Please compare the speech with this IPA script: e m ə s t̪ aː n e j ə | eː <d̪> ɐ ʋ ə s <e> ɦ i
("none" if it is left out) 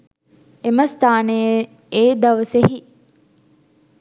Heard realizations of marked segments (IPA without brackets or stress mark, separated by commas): d̪, e